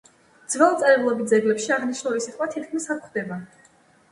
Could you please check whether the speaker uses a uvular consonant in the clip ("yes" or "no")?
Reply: yes